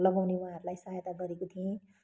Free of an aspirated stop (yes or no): no